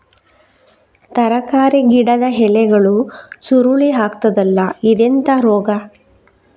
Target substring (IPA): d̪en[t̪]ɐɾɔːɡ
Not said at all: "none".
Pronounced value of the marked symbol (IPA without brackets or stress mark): t̪